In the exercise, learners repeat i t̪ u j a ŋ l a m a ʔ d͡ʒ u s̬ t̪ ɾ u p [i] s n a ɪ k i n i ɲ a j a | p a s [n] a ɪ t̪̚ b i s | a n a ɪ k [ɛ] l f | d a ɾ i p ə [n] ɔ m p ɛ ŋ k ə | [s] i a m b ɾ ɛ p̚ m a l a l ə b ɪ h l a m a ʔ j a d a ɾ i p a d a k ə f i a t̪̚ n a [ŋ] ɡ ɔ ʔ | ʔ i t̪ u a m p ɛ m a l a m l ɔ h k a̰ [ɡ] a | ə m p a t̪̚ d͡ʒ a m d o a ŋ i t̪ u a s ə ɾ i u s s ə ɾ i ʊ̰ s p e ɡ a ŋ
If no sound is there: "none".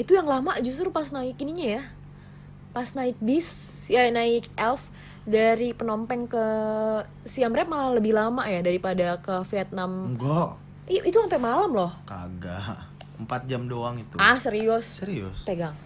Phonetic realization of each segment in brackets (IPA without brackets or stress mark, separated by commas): a, n, ɛ, n, s, m, ɡ